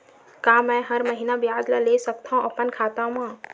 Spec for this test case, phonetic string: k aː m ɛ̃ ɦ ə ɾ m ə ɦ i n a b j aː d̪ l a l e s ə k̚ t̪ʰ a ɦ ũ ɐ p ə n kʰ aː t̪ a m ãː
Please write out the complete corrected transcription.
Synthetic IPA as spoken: k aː m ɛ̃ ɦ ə ɾ m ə ɦ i n a b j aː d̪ l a l e s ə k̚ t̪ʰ a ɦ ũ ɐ p ə n kʰ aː t̪ a m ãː